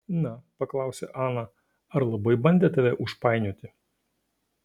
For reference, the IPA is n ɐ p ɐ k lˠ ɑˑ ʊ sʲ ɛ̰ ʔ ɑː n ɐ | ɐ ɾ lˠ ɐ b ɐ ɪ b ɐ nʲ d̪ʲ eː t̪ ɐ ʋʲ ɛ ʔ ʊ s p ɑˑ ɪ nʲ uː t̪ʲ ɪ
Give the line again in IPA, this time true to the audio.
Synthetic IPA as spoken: n ɐ p ɐ k lˠ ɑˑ ʊ sʲ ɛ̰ ʔ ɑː n ɐ | ɐ ɾ lˠ ɐ b ɐ ɪ b ɐ nʲ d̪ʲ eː t̪ ɐ ʋʲ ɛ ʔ ʊ ʃ p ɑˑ ɪ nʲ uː t̪ʲ ɪ